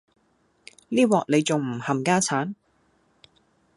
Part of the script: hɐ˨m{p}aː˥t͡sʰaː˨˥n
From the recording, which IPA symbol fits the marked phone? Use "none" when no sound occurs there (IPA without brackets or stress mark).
k